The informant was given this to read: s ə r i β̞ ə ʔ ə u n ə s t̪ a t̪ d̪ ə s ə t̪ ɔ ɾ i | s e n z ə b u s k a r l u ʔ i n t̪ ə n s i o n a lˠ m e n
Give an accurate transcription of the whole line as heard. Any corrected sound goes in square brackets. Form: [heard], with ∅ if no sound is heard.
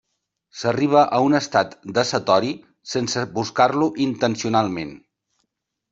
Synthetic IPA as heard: s ə r i β̞ ə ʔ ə u n ə s t̪ a t̪ d̪ ə s ə t̪ ɔ ɾ i | s e n [s] ə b u s k a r l u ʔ i n t̪ ə n s i [u] n a lˠ m e n